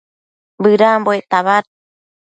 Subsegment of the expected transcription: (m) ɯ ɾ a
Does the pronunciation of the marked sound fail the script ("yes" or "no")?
yes